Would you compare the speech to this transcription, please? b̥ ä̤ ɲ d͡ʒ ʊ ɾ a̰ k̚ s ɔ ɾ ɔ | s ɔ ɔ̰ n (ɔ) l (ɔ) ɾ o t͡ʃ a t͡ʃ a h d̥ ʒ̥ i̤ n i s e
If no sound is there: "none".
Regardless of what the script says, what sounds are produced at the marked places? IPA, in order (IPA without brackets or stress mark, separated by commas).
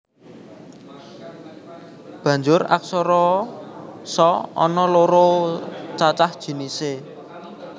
ɔ, o